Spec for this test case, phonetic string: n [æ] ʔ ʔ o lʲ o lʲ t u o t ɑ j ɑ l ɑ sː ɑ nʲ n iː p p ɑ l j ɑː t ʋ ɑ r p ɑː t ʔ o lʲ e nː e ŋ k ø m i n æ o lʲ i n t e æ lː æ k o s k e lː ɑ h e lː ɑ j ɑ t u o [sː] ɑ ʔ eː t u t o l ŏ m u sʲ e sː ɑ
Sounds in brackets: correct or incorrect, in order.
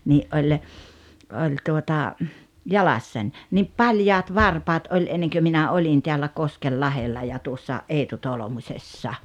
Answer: incorrect: i, correct

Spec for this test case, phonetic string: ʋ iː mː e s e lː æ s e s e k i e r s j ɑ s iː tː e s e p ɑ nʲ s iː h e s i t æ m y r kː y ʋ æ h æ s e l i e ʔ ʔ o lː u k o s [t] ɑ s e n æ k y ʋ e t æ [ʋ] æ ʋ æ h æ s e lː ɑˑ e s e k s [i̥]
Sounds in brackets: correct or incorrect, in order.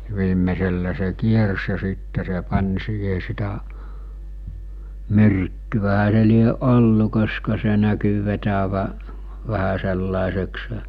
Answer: incorrect: k, correct, incorrect: e̥

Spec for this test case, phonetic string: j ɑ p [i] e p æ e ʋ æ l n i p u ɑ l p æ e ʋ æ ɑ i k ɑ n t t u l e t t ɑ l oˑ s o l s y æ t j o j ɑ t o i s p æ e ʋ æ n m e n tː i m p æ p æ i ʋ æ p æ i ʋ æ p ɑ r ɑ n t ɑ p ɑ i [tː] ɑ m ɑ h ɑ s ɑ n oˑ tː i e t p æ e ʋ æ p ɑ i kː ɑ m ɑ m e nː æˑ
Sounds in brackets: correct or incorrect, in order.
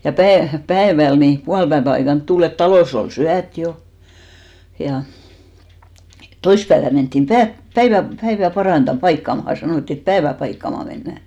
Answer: incorrect: æ, incorrect: kː

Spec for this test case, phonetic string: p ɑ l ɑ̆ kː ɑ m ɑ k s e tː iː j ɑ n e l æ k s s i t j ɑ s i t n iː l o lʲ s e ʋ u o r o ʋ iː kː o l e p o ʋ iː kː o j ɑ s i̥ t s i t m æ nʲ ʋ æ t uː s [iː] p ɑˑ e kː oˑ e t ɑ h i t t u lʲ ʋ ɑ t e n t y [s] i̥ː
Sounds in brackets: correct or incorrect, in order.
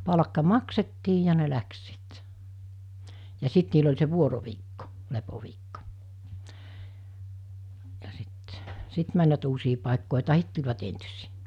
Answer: correct, correct

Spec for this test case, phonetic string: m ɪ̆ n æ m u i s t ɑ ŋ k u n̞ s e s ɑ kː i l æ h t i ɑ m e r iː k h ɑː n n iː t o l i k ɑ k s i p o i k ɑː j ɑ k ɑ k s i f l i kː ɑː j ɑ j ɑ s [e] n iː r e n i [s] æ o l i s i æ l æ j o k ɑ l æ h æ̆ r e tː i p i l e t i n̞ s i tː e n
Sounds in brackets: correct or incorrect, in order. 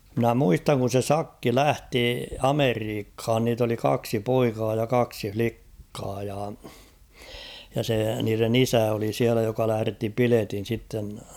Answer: correct, correct

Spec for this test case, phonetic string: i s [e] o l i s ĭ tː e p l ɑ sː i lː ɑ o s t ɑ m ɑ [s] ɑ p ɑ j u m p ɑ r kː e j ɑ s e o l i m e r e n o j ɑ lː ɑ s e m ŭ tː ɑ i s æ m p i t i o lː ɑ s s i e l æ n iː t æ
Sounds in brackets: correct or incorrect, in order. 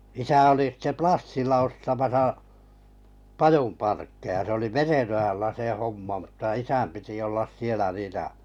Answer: incorrect: æ, correct

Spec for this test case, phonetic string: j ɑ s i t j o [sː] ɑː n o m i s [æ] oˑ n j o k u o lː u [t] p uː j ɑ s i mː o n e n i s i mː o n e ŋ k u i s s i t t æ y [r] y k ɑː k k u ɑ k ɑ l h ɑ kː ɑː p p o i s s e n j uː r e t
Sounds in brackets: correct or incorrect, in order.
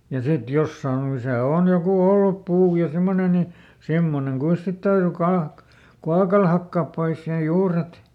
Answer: correct, correct, incorrect: p, correct

